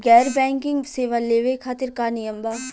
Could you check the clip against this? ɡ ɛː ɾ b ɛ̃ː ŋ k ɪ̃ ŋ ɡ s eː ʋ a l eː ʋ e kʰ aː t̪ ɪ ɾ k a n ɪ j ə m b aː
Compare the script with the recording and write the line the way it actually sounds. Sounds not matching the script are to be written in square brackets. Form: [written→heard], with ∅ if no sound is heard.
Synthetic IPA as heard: ɡ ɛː ɾ b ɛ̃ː ŋ k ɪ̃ ŋ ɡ s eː ʋ a l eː ʋ e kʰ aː t̪ ɪ ɾ k a n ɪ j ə m b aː